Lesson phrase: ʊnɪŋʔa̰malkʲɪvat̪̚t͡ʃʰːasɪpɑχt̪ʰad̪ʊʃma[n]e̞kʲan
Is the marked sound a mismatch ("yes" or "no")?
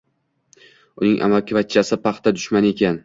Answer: no